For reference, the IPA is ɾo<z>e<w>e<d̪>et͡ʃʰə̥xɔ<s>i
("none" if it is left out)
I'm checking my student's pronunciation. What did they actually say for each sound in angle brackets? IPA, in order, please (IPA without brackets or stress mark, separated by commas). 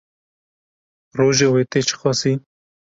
ʒ, w, t̪, s